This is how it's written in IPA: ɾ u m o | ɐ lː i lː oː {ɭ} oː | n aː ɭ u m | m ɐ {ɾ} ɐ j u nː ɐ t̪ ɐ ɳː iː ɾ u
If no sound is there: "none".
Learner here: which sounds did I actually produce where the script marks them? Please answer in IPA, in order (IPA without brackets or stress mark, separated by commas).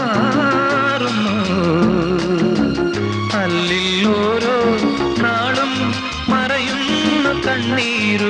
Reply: ɾ, ɾ